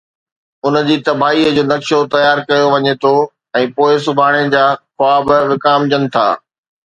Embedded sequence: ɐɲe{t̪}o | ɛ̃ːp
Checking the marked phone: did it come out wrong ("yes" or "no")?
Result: yes